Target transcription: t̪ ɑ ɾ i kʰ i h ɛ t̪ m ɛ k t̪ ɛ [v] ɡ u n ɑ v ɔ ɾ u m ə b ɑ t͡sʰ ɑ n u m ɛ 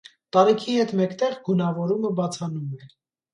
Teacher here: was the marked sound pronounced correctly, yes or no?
no